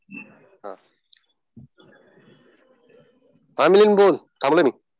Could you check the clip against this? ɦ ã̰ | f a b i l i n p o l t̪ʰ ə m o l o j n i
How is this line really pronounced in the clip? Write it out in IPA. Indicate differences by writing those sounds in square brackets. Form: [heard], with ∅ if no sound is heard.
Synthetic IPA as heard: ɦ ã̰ | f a [m] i l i n [b] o l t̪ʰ [a] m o l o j [m] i